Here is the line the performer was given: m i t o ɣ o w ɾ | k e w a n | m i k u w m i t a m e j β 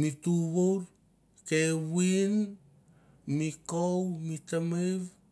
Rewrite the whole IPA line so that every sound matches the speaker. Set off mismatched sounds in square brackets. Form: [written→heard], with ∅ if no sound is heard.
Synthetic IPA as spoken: m i t [o→u] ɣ o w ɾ | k e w [a→i] n | m i k [u→o] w m i t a m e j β

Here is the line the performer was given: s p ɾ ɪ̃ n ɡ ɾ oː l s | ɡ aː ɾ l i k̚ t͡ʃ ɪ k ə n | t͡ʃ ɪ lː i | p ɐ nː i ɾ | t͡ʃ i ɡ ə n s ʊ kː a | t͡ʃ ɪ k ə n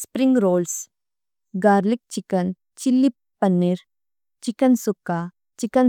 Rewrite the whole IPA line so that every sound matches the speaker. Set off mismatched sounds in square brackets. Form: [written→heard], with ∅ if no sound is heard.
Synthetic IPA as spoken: s p ɾ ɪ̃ [n→ŋ] ɡ ɾ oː l s | ɡ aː ɾ l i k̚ t͡ʃ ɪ k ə n | t͡ʃ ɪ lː i | p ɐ nː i ɾ | t͡ʃ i [ɡ→k] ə n s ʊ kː a | t͡ʃ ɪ k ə n

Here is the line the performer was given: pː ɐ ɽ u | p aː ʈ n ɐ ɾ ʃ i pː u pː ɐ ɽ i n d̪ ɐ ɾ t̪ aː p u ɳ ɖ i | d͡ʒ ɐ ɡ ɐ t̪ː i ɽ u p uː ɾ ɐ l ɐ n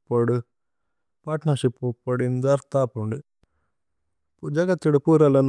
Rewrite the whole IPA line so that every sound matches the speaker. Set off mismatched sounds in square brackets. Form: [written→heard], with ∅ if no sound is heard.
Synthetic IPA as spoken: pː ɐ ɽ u | p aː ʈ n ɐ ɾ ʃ i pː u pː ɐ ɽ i n d̪ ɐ ɾ t̪ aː p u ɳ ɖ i | d͡ʒ ɐ ɡ ɐ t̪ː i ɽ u p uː ɾ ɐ l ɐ n

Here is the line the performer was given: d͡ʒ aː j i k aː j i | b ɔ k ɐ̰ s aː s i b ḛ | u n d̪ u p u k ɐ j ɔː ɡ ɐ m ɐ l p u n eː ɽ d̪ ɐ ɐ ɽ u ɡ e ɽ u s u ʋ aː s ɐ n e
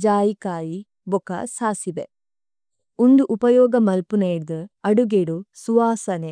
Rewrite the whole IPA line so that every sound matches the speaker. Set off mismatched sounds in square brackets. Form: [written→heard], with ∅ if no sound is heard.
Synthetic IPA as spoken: d͡ʒ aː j i k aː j i | b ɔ k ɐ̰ s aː s i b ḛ | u n d̪ u [p→ʔ] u [k→p] ɐ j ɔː ɡ ɐ m ɐ l p u n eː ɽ d̪ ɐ ɐ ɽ u ɡ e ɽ u s u ʋ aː s ɐ n e

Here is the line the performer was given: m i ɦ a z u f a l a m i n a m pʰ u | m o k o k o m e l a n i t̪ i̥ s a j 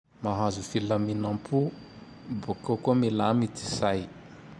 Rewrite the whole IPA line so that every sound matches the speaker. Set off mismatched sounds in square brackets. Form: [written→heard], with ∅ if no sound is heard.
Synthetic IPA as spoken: m [i→a] ɦ a z u f [a→i] l a m i n a m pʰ u | [m→b] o k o k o m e l a [n→m] i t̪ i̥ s a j

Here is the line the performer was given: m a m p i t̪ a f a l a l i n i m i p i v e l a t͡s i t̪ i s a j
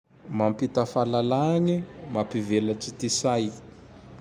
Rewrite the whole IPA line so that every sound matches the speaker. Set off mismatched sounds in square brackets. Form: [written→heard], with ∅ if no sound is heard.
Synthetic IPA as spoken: m a m p i t̪ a f a l a l [i→a] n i m [i→a] p i v e l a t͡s i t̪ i s a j

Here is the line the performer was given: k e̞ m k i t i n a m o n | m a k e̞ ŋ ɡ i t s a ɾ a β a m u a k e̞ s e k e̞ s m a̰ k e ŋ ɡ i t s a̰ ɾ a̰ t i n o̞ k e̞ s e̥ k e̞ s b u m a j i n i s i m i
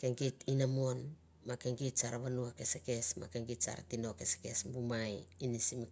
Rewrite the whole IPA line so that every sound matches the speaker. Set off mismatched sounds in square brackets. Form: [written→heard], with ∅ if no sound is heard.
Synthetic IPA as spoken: k e̞ [m→ŋ] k i t i n a m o n | m a k e̞ ŋ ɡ i t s a ɾ a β a [m→n] u a k e̞ s e k e̞ s m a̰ k e ŋ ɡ i t s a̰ ɾ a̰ t i n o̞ k e̞ s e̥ k e̞ s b u m a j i n i s i m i

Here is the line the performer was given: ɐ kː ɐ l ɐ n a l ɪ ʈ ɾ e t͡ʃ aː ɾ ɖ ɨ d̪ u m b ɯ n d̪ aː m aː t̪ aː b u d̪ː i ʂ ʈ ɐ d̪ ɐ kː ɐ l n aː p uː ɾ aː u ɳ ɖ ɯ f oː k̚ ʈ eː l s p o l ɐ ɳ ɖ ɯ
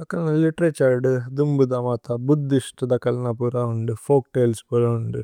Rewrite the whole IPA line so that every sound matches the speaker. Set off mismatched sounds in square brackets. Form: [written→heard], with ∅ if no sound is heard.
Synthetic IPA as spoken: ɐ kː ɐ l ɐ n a l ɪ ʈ ɾ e t͡ʃ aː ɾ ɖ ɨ d̪ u m b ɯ [n→∅] d̪ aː m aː t̪ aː b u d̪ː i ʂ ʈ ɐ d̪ ɐ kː ɐ l n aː p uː ɾ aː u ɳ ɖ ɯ f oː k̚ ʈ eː l s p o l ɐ ɳ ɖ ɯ

